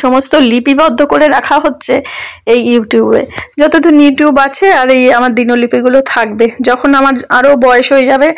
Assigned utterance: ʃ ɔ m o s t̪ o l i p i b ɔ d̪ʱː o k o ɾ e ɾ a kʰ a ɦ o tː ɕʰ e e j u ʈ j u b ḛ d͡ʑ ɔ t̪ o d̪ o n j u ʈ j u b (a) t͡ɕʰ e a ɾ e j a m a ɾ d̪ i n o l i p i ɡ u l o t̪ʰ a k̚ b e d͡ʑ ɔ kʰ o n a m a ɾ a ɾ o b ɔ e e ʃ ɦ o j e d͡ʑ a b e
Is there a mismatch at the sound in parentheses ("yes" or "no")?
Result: no